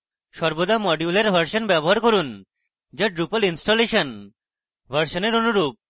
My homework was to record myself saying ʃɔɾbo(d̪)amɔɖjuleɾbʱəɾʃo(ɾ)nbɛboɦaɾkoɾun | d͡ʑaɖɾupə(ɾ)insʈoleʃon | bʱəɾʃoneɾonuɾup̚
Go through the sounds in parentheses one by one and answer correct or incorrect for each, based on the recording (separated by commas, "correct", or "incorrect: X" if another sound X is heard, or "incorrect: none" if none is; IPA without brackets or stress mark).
correct, incorrect: none, incorrect: l